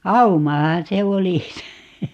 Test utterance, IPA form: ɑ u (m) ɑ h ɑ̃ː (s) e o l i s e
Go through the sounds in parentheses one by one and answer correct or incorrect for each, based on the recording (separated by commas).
correct, correct